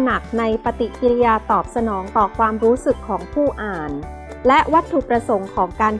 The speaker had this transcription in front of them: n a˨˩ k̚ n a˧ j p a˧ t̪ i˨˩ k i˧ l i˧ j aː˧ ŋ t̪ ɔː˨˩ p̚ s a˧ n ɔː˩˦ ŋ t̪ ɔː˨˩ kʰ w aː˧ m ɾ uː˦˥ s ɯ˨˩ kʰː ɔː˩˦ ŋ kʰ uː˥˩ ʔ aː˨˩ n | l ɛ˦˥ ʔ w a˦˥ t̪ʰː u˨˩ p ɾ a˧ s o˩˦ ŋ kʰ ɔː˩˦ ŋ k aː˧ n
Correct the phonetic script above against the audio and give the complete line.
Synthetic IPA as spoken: n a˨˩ k̚ n a˧ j p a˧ t̪ i˨˩ k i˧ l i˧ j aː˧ t̪ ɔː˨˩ p̚ s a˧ n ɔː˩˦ ŋ t̪ ɔː˨˩ kʰ w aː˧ m ɾ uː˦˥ s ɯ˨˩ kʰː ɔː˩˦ ŋ pʰ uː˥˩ ʔ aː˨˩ n | l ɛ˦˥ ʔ w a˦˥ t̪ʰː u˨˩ p ɾ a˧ s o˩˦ ŋ kʰ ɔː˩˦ ŋ k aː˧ n